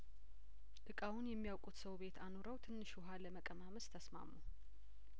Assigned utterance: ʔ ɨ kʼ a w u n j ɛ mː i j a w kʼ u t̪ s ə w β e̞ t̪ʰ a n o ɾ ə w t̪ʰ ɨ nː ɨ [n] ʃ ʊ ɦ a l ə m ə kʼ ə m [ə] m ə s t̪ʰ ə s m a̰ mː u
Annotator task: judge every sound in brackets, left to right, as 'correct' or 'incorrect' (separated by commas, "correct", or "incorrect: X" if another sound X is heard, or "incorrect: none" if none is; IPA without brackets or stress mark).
incorrect: none, incorrect: a